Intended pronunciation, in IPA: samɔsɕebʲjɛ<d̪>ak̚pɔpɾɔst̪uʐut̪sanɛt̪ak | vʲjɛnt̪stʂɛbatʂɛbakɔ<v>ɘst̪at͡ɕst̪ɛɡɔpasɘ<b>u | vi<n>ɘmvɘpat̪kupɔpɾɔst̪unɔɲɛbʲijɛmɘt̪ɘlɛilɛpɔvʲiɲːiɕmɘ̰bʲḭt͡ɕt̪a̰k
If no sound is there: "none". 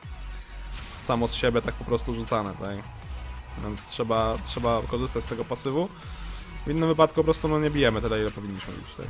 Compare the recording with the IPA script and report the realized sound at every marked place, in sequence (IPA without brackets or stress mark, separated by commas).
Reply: t̪, ʐ, v, nː